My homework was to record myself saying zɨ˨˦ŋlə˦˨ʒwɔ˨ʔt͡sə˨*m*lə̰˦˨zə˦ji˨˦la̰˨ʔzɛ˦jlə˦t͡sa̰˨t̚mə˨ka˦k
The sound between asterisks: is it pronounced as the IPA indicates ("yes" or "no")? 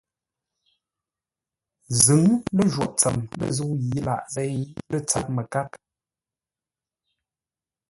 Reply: yes